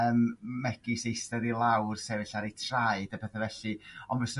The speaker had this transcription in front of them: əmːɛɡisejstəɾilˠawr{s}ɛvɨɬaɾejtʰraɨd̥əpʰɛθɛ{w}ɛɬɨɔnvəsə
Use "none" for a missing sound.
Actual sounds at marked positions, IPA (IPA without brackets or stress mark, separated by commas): s, v